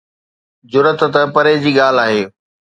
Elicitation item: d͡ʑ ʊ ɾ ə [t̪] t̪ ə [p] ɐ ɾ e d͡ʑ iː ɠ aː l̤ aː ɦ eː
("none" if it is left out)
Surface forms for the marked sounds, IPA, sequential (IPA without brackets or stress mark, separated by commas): t̪, p